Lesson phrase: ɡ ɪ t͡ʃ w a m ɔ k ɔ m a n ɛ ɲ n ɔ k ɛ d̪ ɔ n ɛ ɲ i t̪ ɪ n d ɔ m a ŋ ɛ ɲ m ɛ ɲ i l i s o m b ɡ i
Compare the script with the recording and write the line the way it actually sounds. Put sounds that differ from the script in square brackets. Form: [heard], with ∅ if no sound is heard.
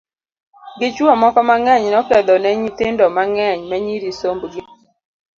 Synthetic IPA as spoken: ɡ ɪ t͡ʃ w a m ɔ k ɔ m a [ŋ] ɛ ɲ n ɔ k ɛ d̪ ɔ n ɛ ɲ i t̪ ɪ n d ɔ m a ŋ ɛ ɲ m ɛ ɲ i [ɾ] i s o m b ɡ i